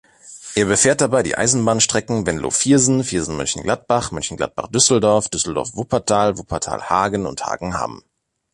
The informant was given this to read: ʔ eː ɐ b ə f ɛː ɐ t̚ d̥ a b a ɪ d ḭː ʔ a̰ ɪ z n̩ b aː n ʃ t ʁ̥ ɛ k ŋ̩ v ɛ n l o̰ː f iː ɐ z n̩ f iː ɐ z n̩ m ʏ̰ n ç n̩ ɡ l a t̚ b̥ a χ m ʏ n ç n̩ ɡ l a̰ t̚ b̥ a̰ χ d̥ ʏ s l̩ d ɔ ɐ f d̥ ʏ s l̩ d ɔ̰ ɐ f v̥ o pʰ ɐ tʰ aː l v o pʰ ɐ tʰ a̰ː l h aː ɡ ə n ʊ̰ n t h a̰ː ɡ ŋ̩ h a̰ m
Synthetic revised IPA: ʔ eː ɐ b ə f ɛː ɐ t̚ d̥ a b a ɪ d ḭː ʔ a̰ ɪ z n̩ b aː n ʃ t ʁ̥ ɛ k ŋ̩ v ɛ n l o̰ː f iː ɐ z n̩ f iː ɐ z n̩ m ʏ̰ n ç n̩ ɡ l a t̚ b̥ a χ m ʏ n ç n̩ ɡ l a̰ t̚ b̥ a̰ χ d̥ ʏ s l̩ d ɔ ɐ f d̥ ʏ s l̩ d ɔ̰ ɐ f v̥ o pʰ ɐ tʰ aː l v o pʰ ɐ tʰ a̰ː l h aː ɡ ə n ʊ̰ n t h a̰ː ɡ ŋ̩ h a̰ m